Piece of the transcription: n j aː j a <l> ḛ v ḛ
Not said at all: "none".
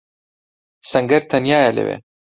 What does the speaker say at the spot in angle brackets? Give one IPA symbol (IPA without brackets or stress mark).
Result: l